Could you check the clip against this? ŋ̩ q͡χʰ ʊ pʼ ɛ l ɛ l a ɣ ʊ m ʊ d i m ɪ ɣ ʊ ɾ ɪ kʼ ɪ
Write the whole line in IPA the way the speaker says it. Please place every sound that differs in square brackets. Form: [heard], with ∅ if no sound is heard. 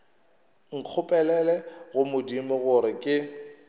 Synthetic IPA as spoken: ŋ̩ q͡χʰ ʊ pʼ ɛ l ɛ l [ɛ] ɣ ʊ m ʊ d i m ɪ ɣ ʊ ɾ ɪ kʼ ɪ